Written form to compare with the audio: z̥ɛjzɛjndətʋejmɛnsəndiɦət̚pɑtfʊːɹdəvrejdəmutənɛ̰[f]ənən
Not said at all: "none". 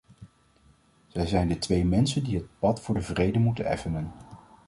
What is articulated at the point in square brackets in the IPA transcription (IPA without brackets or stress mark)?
f